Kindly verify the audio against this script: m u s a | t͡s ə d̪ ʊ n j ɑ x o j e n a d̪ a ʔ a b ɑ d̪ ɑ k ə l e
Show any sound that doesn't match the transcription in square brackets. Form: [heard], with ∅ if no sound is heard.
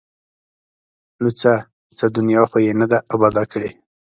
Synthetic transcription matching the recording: [n] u [t͡s] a | t͡s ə d̪ ʊ n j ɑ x o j e n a d̪ a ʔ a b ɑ d̪ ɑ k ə [ɽ] e